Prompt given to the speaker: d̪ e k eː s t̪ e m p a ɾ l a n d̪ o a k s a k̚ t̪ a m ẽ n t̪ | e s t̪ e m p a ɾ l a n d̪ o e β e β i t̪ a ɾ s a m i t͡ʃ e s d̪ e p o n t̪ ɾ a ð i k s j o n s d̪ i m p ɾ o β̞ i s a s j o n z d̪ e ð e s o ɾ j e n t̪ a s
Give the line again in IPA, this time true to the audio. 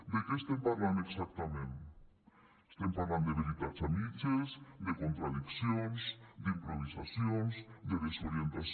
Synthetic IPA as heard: d̪ e k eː s t̪ e m p a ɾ l a n d̪ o e k s a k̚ t̪ a m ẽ n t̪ | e s t̪ e m p a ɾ l a n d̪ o e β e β i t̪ a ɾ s a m i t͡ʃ e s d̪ e k o n t̪ ɾ a ð i k s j o n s d̪ i m p ɾ o β̞ i s a s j o n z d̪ e ð e s o ɾ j e n t̪ a s